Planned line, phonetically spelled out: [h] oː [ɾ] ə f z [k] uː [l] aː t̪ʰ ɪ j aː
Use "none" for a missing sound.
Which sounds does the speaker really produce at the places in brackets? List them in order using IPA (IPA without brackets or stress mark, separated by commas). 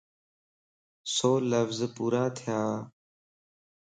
s, l, p, ɾ